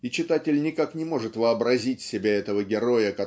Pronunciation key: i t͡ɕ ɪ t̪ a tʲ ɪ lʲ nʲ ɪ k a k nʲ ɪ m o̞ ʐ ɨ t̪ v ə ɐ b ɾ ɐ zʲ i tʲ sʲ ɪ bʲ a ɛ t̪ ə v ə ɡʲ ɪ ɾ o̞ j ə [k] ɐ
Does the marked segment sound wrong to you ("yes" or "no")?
no